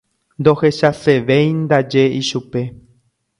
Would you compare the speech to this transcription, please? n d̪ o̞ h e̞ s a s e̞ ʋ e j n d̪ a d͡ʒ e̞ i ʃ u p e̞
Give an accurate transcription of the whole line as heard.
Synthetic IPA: n d̪ o̞ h e̞ ʃ a s e̞ ʋ e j n d̪ a d͡ʒ e̞ i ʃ u p e̞